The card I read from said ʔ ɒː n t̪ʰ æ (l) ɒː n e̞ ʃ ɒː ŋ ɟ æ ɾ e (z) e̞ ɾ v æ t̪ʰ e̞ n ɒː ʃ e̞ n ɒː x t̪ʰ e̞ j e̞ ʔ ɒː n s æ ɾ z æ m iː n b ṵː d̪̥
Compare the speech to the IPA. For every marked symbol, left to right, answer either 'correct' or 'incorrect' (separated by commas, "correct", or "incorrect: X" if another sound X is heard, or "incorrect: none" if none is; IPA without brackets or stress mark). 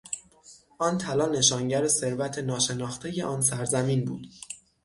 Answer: correct, incorrect: s